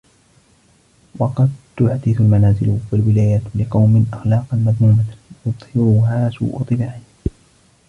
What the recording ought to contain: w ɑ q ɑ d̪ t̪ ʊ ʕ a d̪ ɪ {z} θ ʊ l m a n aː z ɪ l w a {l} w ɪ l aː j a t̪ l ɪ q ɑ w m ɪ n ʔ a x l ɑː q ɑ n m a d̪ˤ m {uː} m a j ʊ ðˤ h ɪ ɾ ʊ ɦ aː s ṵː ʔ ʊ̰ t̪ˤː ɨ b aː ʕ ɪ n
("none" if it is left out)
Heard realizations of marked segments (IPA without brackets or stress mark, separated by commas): none, l, uː